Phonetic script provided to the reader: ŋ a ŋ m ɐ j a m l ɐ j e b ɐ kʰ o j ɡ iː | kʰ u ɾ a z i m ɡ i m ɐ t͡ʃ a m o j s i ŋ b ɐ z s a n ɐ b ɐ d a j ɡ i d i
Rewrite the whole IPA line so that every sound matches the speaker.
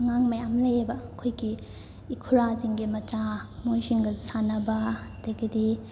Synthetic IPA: ŋ a ŋ m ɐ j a m l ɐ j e b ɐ kʰ o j ɡ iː | kʰ u ɾ a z i ŋ ɡ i m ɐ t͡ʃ a m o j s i ŋ ɡ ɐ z s a n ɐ b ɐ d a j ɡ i d i